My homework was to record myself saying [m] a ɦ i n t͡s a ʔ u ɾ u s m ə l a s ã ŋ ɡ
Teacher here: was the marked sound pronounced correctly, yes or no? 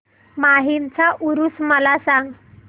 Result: yes